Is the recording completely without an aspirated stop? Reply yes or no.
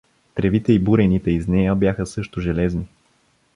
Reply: yes